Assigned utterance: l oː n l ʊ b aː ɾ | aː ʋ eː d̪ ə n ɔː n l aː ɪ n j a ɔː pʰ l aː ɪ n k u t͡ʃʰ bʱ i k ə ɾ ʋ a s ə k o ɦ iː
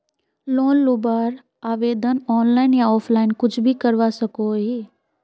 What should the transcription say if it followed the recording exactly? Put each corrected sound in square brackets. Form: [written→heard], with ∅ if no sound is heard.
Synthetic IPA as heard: l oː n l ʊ b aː ɾ | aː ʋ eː d̪ ə n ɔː n l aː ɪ n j a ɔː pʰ l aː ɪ n k [u→ʊ] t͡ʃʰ bʱ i k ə ɾ ʋ a s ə k o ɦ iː